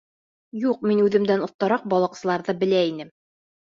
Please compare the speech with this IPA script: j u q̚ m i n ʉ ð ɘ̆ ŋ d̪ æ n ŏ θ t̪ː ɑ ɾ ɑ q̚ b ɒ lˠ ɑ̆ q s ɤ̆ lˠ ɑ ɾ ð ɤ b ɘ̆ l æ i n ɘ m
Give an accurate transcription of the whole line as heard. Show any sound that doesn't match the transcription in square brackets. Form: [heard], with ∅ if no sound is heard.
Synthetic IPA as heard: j u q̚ m i n ʉ ð ɘ̆ [m] d̪ æ n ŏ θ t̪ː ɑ ɾ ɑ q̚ b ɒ lˠ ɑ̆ q s ɤ̆ lˠ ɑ ɾ ð ɤ b ɘ̆ l æ i n ɘ m